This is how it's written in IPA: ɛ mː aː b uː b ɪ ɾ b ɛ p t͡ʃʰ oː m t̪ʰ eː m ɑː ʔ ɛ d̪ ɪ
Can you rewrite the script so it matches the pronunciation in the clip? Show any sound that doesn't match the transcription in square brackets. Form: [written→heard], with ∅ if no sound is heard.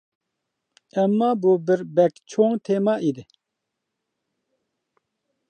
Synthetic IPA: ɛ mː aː b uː b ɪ ɾ b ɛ [p→k] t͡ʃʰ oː [m→ŋ] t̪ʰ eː m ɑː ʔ [ɛ→i] d̪ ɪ